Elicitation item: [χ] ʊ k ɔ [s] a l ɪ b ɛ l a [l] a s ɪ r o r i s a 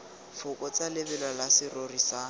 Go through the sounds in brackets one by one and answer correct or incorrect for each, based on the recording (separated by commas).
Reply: incorrect, incorrect, correct